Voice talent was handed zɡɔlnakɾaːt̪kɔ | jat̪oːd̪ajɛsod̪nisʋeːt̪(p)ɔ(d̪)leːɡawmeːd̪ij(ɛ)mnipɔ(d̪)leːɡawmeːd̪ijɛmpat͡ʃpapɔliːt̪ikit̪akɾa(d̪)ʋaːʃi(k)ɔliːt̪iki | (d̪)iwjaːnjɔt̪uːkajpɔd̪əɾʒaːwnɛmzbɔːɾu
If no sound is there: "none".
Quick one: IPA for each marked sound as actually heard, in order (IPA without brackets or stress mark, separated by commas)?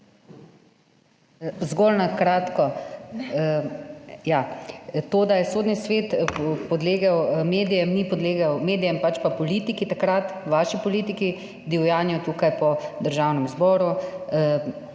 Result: p, d̪, ɛ, d̪, t̪, p, d̪